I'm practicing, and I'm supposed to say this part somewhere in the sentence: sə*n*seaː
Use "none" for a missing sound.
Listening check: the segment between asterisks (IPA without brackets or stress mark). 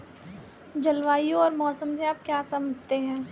m